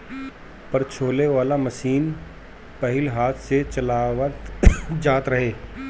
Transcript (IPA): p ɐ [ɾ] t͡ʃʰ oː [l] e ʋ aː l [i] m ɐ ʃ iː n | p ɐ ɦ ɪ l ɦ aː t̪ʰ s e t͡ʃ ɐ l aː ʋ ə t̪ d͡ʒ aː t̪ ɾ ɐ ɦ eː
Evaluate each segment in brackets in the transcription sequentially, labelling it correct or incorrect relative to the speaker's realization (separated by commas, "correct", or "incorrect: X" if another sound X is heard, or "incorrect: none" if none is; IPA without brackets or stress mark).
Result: correct, correct, incorrect: a